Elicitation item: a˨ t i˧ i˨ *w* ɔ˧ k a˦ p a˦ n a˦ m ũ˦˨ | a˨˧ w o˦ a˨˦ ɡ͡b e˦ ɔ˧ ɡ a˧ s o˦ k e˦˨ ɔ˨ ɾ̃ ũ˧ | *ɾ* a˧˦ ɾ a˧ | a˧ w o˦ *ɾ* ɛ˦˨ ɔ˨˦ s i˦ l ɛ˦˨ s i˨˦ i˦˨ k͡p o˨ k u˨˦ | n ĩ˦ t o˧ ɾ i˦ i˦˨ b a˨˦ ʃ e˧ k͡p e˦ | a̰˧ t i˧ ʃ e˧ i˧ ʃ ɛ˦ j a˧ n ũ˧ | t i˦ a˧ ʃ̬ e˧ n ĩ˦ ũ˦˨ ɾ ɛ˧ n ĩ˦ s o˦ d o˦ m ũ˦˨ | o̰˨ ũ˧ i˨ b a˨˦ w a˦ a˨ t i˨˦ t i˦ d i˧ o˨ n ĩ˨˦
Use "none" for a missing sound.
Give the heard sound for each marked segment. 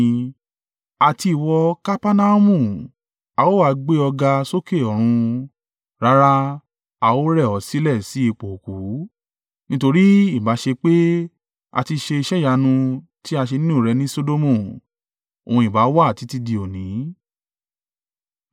w, ɾ, ɾ

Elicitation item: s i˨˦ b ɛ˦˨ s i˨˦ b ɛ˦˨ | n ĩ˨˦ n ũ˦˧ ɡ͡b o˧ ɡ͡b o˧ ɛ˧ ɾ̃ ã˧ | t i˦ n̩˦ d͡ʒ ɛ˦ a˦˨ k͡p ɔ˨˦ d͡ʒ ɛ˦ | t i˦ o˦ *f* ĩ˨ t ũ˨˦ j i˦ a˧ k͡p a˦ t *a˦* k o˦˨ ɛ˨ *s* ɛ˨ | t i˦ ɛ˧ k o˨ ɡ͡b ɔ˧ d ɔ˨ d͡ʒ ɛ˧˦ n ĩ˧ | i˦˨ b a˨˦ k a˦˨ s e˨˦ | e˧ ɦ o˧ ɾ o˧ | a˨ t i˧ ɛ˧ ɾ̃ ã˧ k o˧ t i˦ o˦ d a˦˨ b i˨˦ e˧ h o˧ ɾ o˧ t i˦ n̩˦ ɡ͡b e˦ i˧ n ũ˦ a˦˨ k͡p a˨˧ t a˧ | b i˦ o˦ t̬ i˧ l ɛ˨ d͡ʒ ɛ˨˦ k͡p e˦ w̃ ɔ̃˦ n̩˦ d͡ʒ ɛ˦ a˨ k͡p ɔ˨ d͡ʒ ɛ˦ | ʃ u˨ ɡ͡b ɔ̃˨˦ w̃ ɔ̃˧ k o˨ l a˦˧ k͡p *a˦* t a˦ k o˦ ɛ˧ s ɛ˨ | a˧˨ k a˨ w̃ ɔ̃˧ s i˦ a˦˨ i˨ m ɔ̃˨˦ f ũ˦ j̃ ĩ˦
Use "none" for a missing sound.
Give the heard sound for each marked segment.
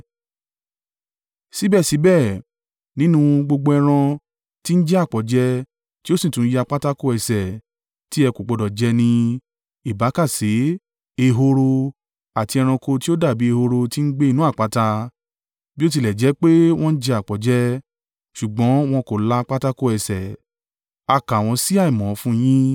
s, a˦, s, a˦

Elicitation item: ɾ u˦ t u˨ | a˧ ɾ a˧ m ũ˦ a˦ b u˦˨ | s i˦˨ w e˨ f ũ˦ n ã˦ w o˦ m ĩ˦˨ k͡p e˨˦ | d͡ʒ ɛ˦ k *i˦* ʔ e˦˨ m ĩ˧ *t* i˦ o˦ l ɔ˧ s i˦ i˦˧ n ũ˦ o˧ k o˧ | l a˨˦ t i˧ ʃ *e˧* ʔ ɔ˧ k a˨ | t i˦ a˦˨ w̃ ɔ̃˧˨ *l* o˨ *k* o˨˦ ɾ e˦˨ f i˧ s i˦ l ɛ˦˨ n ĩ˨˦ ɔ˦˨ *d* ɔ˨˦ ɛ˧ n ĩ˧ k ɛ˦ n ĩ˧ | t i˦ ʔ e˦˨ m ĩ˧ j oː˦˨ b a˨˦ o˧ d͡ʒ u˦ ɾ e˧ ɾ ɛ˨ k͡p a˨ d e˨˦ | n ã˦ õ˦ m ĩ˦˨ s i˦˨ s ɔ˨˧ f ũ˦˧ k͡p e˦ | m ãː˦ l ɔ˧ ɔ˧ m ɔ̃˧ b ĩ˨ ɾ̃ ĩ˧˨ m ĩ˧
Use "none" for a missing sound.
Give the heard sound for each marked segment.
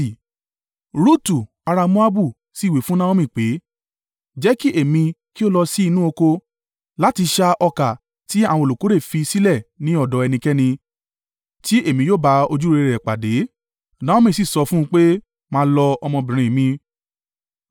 i˦, k, a˧, l, k, d

